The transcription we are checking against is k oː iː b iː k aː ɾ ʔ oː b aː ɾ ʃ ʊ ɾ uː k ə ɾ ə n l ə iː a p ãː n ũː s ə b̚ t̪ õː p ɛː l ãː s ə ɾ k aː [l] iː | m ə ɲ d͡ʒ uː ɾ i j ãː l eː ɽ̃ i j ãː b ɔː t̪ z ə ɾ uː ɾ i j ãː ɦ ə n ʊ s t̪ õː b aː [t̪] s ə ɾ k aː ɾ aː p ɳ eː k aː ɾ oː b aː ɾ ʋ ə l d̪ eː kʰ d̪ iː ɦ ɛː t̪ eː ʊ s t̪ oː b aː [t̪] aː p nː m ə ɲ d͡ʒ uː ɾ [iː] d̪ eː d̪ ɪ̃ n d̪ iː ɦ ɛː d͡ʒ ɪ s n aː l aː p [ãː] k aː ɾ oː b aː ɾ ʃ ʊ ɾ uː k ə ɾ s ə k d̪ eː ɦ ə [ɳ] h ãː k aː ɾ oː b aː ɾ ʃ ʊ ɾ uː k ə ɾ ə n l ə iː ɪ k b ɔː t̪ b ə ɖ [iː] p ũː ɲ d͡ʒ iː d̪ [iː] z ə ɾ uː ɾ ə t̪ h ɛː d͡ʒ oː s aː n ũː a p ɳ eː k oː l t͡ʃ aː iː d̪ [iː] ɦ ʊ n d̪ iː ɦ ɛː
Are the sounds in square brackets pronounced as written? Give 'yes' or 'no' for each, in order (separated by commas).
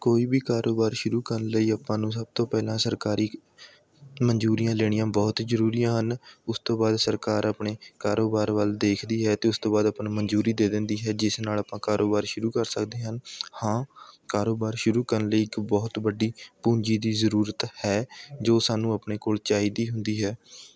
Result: no, no, no, yes, yes, no, yes, yes, yes